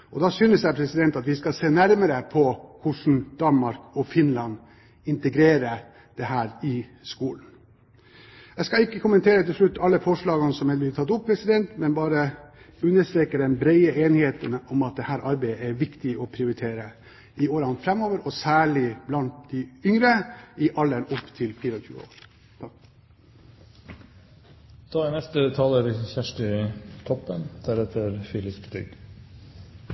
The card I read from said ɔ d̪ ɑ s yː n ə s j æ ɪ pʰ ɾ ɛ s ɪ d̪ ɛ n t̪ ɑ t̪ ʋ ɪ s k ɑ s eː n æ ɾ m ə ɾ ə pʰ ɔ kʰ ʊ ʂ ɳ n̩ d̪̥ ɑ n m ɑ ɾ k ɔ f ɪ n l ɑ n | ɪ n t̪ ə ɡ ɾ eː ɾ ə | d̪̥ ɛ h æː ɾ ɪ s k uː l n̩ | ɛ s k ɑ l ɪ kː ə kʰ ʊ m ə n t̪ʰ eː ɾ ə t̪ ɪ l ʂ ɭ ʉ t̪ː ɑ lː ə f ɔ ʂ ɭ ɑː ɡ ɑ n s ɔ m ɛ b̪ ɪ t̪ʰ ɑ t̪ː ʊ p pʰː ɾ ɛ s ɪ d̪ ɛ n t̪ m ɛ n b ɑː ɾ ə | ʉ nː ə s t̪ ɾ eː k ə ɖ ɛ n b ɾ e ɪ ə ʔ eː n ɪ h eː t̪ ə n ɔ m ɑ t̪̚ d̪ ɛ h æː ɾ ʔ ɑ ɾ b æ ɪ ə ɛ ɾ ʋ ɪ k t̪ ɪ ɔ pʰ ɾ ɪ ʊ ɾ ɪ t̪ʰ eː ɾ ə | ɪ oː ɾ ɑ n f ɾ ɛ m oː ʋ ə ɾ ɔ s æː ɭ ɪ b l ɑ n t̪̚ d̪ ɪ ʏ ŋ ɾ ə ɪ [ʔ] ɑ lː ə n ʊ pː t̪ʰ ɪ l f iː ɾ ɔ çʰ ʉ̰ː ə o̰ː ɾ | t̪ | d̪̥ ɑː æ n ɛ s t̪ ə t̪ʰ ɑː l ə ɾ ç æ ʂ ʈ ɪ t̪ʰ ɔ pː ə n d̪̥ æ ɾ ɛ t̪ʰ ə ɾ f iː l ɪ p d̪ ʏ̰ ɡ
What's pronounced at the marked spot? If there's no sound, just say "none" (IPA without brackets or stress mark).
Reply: ʔ